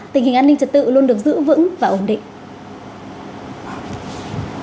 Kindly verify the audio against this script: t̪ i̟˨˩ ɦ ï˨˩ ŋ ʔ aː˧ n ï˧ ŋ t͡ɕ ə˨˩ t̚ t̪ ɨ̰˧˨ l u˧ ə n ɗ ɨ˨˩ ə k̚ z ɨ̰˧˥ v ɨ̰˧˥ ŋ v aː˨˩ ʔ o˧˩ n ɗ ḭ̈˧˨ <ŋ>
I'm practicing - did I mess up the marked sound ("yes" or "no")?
no